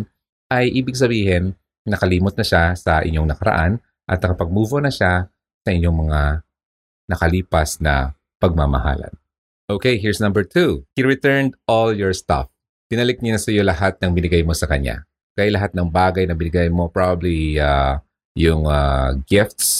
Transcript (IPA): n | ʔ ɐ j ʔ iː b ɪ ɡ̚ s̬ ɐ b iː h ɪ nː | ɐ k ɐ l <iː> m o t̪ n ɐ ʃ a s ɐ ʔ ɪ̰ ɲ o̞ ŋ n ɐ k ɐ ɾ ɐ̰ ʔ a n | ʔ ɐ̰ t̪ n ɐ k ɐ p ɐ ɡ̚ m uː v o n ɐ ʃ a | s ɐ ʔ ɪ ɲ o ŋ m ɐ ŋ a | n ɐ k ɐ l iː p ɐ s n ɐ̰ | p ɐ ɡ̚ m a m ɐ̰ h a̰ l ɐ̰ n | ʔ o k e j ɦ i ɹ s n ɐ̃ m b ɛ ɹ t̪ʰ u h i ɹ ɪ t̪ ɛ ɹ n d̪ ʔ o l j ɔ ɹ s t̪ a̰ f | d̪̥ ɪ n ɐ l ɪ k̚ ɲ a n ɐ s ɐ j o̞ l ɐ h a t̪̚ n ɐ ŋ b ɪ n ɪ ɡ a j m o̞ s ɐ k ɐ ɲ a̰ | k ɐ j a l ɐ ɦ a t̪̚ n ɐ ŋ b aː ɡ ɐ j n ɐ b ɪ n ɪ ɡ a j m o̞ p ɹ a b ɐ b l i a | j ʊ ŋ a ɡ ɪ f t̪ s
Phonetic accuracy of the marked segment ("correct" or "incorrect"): correct